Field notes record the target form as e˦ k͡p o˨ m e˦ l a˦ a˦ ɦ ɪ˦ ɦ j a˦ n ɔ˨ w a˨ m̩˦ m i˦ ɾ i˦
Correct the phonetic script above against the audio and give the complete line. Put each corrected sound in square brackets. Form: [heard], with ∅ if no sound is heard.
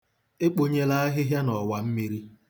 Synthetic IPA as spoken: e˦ k͡p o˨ [ɲ] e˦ l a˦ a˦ ɦ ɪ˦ ɦ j a˦ n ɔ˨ w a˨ m̩˦ m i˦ ɾ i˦